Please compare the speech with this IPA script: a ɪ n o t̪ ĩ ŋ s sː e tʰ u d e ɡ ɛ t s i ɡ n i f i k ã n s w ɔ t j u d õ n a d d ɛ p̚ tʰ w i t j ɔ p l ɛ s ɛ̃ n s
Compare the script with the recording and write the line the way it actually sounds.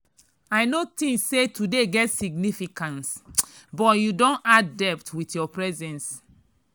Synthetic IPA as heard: a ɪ n o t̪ ĩ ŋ s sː e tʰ u d e ɡ ɛ t s i ɡ n i f i k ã n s b ɔ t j u d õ n a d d ɛ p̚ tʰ w i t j ɔ p ɹ ɛ z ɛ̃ n s